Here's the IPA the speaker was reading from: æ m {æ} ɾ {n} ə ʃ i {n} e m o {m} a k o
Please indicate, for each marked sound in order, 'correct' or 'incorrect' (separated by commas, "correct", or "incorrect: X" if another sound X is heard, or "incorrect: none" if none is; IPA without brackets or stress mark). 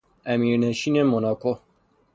incorrect: i, correct, correct, incorrect: n